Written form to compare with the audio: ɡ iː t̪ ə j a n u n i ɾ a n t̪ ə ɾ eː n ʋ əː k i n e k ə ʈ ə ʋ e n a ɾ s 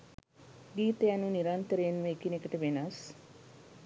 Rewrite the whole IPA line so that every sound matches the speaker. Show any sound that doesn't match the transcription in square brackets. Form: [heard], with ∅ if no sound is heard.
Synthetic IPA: ɡ iː t̪ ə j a n u n i ɾ a n t̪ ə ɾ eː n ʋ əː k i n e k ə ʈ ə ʋ e n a [∅] s